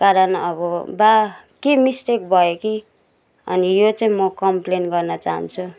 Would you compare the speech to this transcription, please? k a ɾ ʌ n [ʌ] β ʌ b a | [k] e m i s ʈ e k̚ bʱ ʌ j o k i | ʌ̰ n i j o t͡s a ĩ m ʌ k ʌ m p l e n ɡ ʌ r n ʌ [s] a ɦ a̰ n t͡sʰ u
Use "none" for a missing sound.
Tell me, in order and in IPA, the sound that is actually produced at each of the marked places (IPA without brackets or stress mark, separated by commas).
ʌ, k, t͡s